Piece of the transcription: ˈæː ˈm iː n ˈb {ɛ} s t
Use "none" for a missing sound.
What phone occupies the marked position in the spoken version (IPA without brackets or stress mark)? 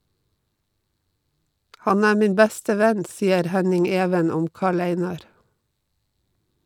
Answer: æ